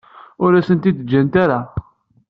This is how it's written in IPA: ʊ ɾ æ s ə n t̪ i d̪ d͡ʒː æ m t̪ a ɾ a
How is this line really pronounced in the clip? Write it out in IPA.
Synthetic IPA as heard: ʊ ɾ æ s ə n t̪ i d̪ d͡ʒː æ n t̪ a ɾ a